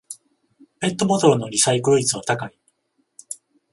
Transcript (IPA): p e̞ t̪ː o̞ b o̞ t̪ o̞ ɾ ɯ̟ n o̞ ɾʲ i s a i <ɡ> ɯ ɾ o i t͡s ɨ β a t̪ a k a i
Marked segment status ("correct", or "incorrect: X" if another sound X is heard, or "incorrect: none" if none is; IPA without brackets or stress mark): incorrect: k